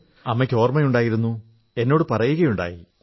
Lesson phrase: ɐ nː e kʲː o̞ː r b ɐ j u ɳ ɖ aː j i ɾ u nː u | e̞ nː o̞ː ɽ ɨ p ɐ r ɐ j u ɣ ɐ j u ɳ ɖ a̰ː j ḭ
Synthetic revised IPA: ɐ mː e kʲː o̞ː r m ɐ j u ɳ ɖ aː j i ɾ u nː u | e̞ nː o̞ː ɽ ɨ p ɐ r ɐ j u ɣ ɐ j u ɳ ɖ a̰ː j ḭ